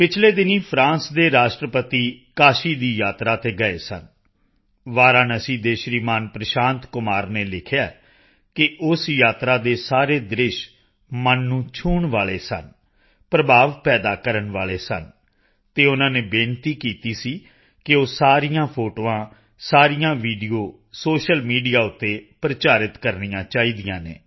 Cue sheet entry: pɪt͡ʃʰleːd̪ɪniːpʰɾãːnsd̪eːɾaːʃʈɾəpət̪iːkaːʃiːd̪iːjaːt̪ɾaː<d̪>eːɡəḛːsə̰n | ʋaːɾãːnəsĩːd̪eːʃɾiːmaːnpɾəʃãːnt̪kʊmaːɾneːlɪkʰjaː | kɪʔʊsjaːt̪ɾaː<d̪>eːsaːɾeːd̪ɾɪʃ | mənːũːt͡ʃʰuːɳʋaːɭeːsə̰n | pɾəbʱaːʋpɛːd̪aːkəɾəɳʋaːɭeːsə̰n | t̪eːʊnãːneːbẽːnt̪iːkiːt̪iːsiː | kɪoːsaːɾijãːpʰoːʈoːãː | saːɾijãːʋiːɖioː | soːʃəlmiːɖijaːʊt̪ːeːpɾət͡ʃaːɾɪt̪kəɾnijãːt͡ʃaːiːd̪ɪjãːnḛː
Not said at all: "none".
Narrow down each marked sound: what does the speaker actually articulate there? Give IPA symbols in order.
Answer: t̪, d̪

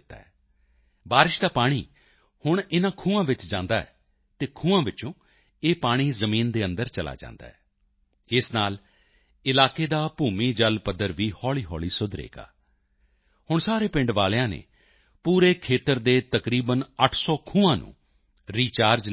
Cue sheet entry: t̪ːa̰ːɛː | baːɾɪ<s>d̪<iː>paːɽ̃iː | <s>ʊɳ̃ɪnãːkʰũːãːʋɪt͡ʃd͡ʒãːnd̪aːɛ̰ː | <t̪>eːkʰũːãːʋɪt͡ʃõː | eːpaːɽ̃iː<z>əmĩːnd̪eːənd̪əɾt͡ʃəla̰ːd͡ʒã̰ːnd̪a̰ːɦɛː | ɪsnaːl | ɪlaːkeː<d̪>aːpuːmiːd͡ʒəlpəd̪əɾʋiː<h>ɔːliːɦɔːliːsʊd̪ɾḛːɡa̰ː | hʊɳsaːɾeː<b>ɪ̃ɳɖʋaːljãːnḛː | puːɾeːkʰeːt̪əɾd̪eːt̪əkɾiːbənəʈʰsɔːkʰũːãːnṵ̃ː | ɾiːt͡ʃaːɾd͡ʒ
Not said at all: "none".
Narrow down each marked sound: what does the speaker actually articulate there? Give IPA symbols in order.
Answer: ʃ, aː, h, t̪, z, d̪, h, p

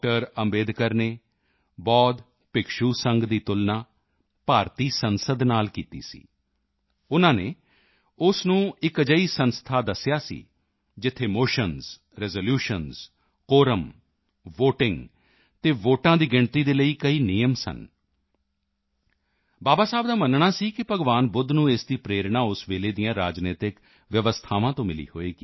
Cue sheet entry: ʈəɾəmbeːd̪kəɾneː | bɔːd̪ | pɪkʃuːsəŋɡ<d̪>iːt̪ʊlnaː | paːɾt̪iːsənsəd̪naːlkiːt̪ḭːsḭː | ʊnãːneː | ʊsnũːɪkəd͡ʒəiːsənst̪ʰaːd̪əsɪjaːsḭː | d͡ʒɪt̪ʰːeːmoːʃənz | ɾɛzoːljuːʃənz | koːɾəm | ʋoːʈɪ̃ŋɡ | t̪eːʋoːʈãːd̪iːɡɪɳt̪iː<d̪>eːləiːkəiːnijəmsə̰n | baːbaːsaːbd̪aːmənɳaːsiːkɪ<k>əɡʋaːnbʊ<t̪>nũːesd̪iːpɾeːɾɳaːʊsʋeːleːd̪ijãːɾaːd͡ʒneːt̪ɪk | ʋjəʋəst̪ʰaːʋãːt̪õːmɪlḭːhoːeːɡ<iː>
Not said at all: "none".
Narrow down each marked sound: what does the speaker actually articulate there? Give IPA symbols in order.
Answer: d̪, d̪, p, d̪, iː

